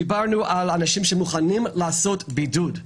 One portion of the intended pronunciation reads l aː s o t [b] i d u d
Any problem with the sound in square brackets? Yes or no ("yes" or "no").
no